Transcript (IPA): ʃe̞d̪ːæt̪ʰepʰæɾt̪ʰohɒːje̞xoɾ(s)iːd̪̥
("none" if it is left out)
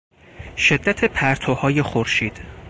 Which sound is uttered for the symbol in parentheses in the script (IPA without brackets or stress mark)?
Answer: ʃ